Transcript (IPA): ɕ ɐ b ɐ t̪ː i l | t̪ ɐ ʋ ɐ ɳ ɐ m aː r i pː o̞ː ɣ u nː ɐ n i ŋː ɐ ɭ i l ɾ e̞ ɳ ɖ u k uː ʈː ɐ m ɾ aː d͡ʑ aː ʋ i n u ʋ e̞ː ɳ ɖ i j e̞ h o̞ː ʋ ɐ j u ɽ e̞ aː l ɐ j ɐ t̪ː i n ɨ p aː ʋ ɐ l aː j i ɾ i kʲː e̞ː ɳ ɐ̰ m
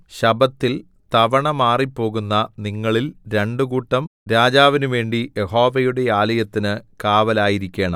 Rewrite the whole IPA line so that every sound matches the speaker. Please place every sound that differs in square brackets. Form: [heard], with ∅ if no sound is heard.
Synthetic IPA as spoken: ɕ ɐ b ɐ t̪ː i l | t̪ ɐ ʋ ɐ ɳ ɐ m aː r i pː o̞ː ɣ u nː ɐ n i ŋː ɐ ɭ i l ɾ e̞ ɳ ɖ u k uː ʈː ɐ m ɾ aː d͡ʑ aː ʋ i n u ʋ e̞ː ɳ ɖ i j e̞ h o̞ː ʋ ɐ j u ɽ e̞ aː l ɐ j ɐ t̪ː i n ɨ [k] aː ʋ ɐ l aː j i ɾ i kʲː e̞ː ɳ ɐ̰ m